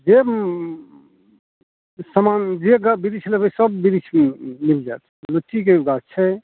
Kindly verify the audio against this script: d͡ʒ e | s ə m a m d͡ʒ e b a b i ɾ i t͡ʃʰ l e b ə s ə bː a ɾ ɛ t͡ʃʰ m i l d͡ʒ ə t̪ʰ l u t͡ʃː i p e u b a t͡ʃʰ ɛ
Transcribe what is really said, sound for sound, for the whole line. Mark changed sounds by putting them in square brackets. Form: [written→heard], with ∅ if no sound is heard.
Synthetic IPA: d͡ʒ e | s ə m a [m→n] d͡ʒ e [b→ɡ] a b i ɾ i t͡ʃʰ l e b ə s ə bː [a→i] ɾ [ɛ→i] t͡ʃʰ m i l d͡ʒ [ə→a] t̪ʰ l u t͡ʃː i [p→k] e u [b→ɡ] a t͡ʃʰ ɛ

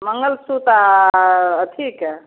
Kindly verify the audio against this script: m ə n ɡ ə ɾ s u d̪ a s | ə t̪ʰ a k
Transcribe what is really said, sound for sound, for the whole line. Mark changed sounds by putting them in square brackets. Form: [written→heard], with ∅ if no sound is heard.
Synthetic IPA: m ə [n→ŋ] ɡ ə [ɾ→l] s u [d̪→t̪] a [s→∅] | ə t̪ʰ [a→i] k

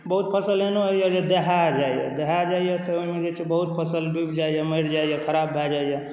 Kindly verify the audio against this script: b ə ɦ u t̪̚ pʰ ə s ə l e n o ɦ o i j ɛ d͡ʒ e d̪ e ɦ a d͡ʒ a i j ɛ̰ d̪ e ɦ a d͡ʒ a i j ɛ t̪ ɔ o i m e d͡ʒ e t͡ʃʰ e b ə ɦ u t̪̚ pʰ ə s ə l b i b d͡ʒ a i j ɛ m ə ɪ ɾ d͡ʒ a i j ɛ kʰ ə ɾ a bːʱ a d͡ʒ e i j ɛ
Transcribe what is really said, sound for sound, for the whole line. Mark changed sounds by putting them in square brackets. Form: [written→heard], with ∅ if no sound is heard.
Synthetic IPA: b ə ɦ u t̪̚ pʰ ə s ə l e n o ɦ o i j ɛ d͡ʒ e d̪ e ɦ a d͡ʒ a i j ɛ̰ d̪ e ɦ a d͡ʒ a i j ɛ t̪ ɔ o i m e d͡ʒ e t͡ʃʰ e b ə ɦ u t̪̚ pʰ ə s ə l b i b d͡ʒ a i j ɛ m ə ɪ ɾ d͡ʒ a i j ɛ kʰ ə ɾ a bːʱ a d͡ʒ [e→a] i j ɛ

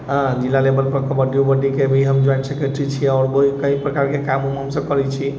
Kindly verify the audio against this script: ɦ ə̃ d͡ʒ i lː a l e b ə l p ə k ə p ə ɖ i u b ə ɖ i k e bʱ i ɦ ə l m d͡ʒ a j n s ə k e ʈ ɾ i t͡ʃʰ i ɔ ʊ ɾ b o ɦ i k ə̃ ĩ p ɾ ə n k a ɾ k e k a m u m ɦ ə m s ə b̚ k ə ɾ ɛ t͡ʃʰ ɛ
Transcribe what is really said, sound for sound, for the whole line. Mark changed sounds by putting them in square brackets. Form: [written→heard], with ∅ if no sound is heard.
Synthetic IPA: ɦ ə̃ d͡ʒ i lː a l e b ə l p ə k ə [p→b] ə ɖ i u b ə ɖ i k e bʱ i ɦ ə [l→∅] m d͡ʒ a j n s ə k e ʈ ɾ i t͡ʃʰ i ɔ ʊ ɾ b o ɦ i k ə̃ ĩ p ɾ ə [n→∅] k a ɾ k e k a m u m ɦ ə m s ə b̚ k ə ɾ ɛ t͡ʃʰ [ɛ→i]

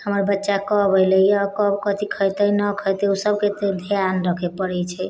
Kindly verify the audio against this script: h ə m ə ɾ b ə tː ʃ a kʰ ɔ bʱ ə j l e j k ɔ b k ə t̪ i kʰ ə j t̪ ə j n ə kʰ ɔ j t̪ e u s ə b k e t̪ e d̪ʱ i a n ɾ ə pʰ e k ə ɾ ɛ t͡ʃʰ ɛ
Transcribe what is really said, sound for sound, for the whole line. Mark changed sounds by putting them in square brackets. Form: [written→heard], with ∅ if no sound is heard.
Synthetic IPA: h ə m ə ɾ b ə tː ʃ a [kʰ→k] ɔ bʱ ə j l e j k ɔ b k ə t̪ i kʰ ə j t̪ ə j n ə kʰ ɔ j t̪ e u s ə b k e t̪ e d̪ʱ [i→j] a n ɾ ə [pʰ→kʰ] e [k→p] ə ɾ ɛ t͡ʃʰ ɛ

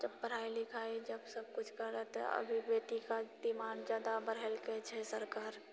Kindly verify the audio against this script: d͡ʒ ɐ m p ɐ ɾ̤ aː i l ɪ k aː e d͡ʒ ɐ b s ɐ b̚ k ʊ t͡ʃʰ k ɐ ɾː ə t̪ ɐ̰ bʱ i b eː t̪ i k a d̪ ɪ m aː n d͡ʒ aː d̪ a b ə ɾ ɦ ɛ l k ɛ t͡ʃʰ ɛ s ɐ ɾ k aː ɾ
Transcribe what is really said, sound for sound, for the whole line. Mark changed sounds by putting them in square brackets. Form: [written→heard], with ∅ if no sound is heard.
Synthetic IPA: d͡ʒ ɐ [m→b] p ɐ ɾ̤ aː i l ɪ [k→kʰ] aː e d͡ʒ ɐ b s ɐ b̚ k ʊ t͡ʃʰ k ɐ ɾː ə t̪ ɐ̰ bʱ i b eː t̪ i k a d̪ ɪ m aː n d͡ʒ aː d̪ a b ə ɾ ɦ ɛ l k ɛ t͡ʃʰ ɛ s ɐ ɾ k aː ɾ

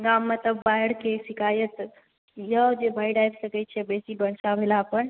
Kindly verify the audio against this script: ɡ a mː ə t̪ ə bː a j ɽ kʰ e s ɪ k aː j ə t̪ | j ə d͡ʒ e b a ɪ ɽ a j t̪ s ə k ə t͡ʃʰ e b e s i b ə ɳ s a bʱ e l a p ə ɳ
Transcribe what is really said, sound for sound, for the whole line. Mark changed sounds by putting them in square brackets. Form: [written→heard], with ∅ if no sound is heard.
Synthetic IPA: ɡ a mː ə t̪ ə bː a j ɽ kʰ e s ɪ k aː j ə t̪ | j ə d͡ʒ e b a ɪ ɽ a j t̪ s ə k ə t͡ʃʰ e b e s i b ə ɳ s a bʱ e l a p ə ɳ

